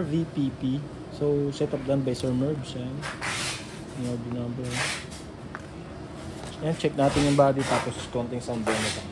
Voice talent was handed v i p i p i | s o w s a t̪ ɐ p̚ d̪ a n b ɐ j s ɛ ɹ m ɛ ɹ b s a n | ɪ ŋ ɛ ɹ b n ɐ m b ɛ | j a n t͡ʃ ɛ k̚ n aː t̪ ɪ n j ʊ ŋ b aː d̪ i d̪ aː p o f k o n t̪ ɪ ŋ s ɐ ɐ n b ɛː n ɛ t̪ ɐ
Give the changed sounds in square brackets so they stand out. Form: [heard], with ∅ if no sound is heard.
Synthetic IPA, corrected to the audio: v i p i p i | s o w s [ɛ] t̪ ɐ p̚ d̪ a n b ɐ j s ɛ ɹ m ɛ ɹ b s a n | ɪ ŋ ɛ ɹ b n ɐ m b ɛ | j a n t͡ʃ ɛ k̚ n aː t̪ ɪ n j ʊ ŋ b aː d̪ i [t̪] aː p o [s] k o n t̪ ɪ ŋ s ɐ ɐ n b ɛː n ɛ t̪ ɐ